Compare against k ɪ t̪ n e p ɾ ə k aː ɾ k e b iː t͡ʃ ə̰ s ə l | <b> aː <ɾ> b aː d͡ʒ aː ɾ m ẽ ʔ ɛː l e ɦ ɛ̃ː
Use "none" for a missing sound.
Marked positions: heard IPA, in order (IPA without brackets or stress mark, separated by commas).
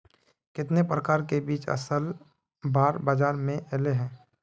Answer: b, ɾ